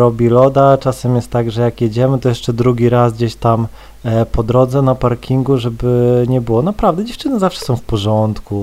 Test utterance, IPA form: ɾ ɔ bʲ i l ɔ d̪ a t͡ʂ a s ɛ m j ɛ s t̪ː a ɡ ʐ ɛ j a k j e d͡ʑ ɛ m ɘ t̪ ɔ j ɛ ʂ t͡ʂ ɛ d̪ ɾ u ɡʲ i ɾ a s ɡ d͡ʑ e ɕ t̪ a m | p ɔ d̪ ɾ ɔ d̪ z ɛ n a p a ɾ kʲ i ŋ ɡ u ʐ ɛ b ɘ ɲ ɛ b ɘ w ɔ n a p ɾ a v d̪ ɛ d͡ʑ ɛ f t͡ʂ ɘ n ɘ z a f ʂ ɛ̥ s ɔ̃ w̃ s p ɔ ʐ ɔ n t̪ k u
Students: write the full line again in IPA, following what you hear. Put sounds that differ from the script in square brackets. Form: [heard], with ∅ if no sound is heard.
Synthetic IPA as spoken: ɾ ɔ bʲ i l ɔ d̪ a t͡ʂ a s ɛ m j ɛ s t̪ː a ɡ ʐ ɛ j a k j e d͡ʑ ɛ m ɘ t̪ ɔ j ɛ ʂ t͡ʂ ɛ d̪ ɾ u ɡʲ i ɾ a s ɡ d͡ʑ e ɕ t̪ a m | p ɔ d̪ ɾ ɔ d̪ z ɛ n a p a ɾ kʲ i ŋ ɡ u ʐ ɛ b ɘ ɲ ɛ b ɘ w ɔ n a p ɾ a v d̪ ɛ d͡ʑ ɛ f t͡ʂ ɘ n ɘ z a f ʂ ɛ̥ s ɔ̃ w̃ [f] p ɔ ʐ ɔ n t̪ k u